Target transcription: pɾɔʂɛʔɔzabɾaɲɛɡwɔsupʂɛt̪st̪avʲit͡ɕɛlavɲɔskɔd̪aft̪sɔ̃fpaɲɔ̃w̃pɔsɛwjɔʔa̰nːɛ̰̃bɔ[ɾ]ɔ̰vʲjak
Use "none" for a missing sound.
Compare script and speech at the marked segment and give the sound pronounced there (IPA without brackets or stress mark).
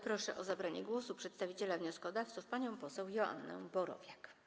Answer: ɾ